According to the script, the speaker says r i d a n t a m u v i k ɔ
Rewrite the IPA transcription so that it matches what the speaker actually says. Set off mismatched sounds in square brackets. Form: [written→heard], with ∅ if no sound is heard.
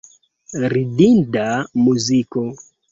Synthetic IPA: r i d [a→i] n [t→d] a m u [v→z] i k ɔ